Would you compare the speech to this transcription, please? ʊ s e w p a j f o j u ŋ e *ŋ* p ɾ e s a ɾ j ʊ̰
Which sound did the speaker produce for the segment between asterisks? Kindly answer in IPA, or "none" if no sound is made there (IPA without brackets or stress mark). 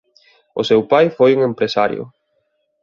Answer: m